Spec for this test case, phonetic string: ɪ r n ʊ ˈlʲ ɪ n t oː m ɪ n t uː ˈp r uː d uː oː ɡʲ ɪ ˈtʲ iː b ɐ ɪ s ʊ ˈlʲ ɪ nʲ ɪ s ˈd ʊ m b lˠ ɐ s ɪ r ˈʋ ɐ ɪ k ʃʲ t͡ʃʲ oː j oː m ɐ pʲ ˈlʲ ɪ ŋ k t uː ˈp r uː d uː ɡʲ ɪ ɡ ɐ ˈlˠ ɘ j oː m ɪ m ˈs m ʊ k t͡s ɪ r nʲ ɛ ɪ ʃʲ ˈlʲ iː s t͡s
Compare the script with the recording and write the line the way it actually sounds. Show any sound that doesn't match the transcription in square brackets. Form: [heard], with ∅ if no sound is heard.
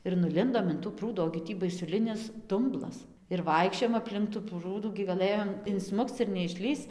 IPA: ɪ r n ʊ ˈlʲ ɪ n [d] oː m ɪ n t uː ˈp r uː d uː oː ɡʲ ɪ ˈtʲ iː b ɐ ɪ s ʊ ˈlʲ ɪ nʲ ɪ s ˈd ʊ m b lˠ ɐ s ɪ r ˈʋ ɐ ɪ k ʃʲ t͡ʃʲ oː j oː m ɐ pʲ ˈlʲ ɪ ŋ k t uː ˈp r uː d uː ɡʲ ɪ ɡ ɐ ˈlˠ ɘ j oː m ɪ [n] ˈs m ʊ k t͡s ɪ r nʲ ɛ ɪ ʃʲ ˈlʲ iː s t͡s

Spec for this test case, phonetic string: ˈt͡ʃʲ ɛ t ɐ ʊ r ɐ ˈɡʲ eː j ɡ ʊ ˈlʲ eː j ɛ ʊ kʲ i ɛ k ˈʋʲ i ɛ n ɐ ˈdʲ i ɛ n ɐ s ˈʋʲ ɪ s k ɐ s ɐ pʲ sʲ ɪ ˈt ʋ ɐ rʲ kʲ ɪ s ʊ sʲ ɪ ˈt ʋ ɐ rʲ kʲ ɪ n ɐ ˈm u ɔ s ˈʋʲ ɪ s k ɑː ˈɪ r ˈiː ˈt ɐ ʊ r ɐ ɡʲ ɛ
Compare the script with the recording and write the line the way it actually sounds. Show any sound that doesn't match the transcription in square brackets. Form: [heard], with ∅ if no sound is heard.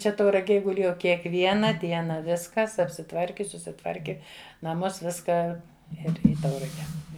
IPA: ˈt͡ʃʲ ɛ t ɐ ʊ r ɐ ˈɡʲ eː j ɡ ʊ ˈlʲ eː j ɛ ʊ kʲ i ɛ k ˈʋʲ i ɛ n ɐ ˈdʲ i ɛ n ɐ [∅] ˈʋʲ ɪ s k ɐ s ɐ pʲ sʲ ɪ ˈt ʋ ɐ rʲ kʲ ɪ s ʊ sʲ ɪ ˈt ʋ ɐ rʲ kʲ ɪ n ɐ ˈm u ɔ s ˈʋʲ ɪ s k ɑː ˈɪ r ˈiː ˈt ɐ ʊ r ɐ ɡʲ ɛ

